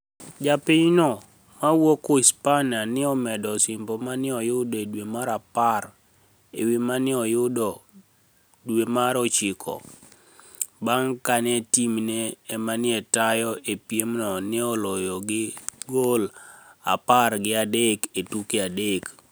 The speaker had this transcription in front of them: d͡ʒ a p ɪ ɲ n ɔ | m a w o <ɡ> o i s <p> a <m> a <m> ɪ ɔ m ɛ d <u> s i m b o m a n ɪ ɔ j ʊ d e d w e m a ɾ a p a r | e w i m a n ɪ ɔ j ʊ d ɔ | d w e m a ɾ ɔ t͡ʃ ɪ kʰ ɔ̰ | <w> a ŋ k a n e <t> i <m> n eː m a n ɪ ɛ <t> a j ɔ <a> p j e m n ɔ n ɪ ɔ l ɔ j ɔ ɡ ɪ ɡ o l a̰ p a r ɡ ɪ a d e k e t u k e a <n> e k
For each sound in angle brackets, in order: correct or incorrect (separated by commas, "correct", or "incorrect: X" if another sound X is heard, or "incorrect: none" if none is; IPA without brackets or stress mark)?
incorrect: k, correct, incorrect: n, incorrect: n, incorrect: ɔ, incorrect: b, correct, correct, correct, incorrect: e, incorrect: d